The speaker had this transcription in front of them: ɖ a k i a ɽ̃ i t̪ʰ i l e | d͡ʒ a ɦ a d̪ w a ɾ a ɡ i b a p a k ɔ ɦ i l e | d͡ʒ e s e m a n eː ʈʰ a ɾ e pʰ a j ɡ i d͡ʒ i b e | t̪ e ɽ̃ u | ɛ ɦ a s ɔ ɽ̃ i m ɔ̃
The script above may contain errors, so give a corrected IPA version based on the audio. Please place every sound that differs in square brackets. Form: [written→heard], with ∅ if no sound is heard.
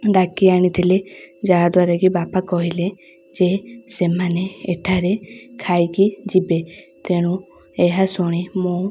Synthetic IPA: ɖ a k i a ɽ̃ i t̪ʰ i l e | d͡ʒ a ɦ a d̪ w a ɾ a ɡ i b a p a k ɔ ɦ i l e | d͡ʒ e s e m a n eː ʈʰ a ɾ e [pʰ→kʰ] a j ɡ i d͡ʒ i b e | t̪ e ɽ̃ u | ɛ ɦ a s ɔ ɽ̃ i m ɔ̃